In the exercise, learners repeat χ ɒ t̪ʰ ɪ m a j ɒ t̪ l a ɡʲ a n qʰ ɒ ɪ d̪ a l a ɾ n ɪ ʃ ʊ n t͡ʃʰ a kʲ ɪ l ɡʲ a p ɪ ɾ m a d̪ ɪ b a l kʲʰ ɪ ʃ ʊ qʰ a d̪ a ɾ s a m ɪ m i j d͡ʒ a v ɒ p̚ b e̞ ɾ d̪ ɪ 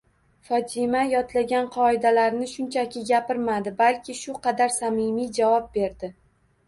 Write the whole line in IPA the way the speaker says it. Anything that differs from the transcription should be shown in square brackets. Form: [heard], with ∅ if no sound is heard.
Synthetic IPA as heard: [f] ɒ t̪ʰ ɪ m a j ɒ t̪ l a ɡʲ a n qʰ ɒ ɪ d̪ a l a ɾ n ɪ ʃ ʊ n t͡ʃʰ a kʲ ɪ [∅] ɡʲ a p ɪ ɾ m a d̪ ɪ b a l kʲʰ ɪ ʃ ʊ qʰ [ɑ] d̪ a ɾ s a m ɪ m i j d͡ʒ a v ɒ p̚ b e̞ ɾ d̪ ɪ